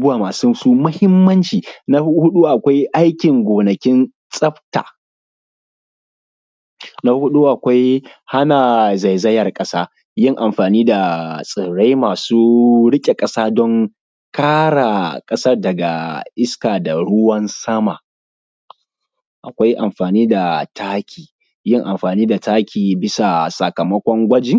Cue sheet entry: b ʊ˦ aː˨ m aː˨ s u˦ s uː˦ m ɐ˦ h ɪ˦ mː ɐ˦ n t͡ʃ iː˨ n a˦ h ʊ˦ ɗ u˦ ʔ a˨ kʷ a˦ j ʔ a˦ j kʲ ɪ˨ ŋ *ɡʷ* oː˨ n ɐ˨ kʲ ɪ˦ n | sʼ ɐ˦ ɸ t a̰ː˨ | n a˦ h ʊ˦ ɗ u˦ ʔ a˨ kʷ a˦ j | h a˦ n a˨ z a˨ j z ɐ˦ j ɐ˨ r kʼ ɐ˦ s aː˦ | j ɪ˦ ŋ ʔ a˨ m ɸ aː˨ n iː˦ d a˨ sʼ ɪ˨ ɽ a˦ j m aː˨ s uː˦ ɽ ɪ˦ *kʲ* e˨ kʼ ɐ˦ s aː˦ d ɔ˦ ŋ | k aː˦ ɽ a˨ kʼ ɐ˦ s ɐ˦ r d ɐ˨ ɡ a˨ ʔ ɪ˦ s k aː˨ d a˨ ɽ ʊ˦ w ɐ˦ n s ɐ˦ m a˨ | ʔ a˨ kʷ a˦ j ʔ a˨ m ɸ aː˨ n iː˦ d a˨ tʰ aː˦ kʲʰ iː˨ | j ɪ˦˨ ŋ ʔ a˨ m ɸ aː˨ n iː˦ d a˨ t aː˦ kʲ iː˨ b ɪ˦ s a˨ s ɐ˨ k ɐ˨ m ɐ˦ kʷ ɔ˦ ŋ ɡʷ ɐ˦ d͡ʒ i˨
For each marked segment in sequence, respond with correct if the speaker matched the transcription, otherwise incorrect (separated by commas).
correct, incorrect